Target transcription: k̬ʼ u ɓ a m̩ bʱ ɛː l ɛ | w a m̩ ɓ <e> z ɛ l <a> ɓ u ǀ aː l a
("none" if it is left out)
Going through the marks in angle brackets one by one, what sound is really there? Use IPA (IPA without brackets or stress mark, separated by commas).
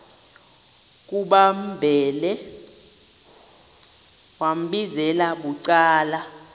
i, a